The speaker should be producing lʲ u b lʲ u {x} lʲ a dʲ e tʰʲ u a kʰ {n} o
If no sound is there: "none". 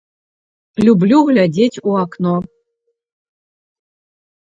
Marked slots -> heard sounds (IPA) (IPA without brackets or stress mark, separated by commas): ɣ, n